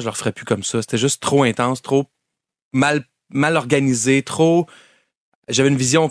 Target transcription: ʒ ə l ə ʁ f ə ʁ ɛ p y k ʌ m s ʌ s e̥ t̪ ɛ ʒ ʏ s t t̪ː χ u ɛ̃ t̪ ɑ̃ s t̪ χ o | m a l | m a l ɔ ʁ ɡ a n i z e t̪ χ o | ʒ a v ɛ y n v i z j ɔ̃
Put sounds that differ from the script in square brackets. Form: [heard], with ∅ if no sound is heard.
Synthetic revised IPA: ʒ ə l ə ʁ f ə ʁ ɛ p y k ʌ m s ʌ s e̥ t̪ ɛ ʒ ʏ s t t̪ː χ [o] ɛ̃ t̪ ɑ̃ s t̪ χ o | m a l | m a l ɔ ʁ ɡ a n i z e t̪ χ o | ʒ a v ɛ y n v i z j ɔ̃